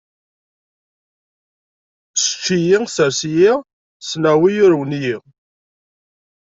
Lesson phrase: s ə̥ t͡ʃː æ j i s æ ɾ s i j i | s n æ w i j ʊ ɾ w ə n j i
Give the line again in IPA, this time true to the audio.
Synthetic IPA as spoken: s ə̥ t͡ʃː i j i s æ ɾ s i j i | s n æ w i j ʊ ɾ w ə n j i